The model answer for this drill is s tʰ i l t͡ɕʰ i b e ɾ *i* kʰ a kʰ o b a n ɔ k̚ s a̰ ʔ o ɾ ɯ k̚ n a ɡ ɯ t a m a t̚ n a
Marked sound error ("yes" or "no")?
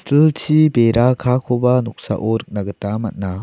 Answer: yes